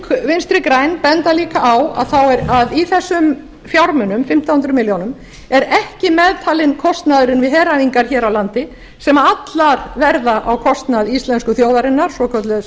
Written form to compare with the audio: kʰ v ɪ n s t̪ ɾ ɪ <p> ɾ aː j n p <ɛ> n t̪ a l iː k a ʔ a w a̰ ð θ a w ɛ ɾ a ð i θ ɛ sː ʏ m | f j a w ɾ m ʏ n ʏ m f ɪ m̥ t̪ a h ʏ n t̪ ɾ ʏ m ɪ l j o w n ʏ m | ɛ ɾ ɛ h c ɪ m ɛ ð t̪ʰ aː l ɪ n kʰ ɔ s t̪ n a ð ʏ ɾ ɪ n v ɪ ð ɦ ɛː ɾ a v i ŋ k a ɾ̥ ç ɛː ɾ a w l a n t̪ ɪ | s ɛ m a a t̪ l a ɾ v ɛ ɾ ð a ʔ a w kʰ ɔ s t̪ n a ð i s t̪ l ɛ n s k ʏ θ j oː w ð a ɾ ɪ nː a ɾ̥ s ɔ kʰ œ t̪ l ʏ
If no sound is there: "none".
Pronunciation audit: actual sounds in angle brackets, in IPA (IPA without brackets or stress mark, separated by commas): k, ɛ